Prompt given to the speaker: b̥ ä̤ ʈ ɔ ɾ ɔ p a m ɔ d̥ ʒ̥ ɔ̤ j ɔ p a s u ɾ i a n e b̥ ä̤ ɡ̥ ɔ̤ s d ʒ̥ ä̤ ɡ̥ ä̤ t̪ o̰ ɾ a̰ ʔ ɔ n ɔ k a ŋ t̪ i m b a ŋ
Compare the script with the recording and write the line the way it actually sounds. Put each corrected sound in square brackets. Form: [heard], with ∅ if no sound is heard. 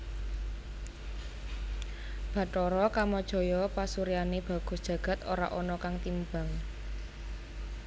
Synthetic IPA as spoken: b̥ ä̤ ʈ ɔ ɾ ɔ [k] a m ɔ d̥ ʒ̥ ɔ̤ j ɔ p a s u ɾ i a n e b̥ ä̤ ɡ̥ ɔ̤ s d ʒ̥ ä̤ ɡ̥ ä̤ t̪ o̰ ɾ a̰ ʔ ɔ n ɔ k a ŋ t̪ i m b a ŋ